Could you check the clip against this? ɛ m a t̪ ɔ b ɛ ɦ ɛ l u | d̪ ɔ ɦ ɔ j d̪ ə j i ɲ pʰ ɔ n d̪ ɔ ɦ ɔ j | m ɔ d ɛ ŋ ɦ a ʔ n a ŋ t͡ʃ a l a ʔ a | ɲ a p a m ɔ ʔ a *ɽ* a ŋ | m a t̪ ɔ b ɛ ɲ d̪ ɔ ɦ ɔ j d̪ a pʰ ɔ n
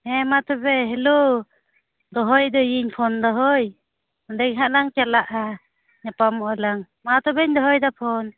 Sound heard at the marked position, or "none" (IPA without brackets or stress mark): l